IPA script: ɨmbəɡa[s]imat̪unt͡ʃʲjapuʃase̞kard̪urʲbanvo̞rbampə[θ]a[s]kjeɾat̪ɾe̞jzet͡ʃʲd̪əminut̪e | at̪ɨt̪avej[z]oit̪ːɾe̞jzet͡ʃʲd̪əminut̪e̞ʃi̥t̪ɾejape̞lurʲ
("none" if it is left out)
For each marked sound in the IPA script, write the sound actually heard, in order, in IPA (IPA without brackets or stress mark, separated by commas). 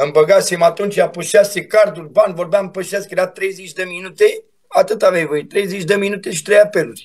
s, ʃ, s, v